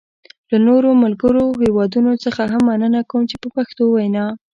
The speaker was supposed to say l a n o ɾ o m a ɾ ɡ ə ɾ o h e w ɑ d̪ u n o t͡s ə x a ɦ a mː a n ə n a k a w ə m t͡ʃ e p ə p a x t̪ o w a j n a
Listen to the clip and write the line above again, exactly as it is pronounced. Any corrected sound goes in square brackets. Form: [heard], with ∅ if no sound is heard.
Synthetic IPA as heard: l a n o ɾ o m a [l] ɡ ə ɾ o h e w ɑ d̪ u n o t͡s ə x a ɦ a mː a n ə n a k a w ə m t͡ʃ e p ə p a x t̪ o w a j n [ɑ]